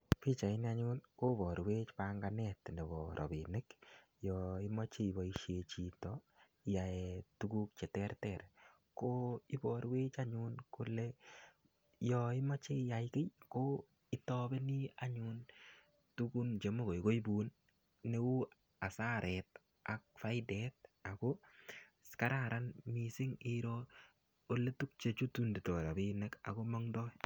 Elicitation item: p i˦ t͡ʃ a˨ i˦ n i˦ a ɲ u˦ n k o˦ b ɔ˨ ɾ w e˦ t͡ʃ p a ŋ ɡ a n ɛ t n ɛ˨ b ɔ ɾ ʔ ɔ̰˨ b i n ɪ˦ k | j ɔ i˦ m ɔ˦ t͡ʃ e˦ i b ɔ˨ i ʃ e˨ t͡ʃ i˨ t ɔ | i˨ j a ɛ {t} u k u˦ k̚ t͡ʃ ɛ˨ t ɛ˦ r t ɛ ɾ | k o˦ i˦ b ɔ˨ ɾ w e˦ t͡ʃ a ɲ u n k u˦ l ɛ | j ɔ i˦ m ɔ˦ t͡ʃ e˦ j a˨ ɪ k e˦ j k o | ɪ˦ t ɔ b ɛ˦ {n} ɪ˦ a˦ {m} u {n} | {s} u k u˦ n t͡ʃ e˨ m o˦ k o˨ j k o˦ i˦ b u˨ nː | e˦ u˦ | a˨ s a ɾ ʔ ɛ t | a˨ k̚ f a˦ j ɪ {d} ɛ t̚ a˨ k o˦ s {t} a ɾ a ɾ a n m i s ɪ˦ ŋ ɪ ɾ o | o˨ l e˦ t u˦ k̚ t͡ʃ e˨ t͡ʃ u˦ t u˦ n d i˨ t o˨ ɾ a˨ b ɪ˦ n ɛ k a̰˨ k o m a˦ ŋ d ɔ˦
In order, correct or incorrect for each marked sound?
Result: correct, correct, incorrect, correct, incorrect, correct, incorrect

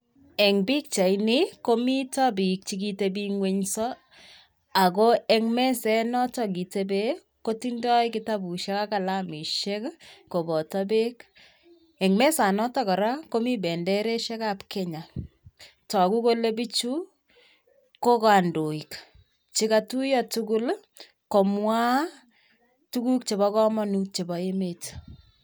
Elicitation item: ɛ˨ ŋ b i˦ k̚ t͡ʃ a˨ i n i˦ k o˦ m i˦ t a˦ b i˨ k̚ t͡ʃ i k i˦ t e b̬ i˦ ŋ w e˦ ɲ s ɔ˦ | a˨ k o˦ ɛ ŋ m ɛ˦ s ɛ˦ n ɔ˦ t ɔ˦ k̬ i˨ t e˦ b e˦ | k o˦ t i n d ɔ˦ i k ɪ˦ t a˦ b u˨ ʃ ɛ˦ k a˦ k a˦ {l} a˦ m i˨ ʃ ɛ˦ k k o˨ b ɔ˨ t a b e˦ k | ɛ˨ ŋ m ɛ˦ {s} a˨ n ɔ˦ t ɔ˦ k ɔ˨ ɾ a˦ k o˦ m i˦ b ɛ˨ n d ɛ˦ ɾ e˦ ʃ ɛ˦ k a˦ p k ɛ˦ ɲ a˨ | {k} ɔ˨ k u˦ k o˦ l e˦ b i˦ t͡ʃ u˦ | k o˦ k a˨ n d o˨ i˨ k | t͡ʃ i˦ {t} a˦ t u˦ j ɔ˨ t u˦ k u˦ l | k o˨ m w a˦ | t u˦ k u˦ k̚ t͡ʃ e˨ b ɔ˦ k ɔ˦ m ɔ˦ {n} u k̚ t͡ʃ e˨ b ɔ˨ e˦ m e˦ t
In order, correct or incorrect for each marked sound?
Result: correct, correct, incorrect, incorrect, correct

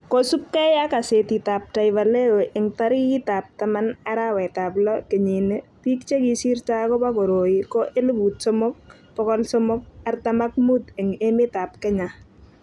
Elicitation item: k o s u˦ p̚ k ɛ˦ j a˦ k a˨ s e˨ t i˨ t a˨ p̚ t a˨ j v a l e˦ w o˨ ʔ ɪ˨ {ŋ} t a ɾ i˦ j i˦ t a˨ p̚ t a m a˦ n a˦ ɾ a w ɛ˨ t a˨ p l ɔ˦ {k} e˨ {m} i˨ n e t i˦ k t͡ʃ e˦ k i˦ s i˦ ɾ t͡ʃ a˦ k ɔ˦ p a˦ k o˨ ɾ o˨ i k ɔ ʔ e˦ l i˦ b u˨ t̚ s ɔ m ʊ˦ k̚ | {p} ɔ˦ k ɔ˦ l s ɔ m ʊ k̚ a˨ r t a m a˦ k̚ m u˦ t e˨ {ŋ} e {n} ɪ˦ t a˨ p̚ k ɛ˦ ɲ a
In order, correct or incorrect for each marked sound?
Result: correct, correct, incorrect, correct, correct, incorrect

